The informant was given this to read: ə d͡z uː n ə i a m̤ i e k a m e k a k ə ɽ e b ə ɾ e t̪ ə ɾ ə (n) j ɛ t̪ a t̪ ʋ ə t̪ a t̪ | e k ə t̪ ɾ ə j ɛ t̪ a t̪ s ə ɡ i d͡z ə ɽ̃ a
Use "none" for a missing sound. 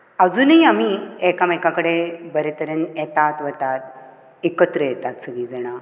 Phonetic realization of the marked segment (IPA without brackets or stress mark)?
n